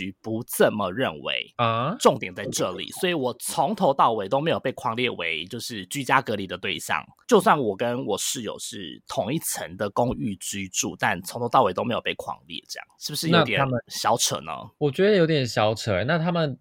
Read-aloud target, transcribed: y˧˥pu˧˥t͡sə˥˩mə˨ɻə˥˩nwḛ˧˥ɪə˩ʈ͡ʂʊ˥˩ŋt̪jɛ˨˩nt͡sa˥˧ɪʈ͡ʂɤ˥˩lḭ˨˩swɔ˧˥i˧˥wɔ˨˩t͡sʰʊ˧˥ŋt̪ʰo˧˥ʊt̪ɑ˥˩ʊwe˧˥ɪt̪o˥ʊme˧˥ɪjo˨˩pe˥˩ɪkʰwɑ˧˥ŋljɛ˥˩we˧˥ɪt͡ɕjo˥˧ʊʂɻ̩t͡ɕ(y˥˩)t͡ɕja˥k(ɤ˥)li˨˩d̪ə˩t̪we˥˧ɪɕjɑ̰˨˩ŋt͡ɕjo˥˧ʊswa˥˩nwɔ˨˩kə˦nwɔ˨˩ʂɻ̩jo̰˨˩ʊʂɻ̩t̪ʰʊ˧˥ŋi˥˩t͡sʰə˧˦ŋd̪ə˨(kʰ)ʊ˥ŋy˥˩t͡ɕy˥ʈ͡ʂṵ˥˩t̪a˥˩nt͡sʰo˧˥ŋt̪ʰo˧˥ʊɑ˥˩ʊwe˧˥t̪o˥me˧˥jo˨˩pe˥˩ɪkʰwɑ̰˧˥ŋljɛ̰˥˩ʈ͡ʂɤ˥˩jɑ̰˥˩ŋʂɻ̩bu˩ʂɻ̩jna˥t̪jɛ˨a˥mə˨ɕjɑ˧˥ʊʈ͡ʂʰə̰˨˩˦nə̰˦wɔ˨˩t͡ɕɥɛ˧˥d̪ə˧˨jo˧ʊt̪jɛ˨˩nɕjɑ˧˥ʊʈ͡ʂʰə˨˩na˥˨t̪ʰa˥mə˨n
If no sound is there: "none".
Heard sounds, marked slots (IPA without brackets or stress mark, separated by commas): y˥, ɤ˧˥, k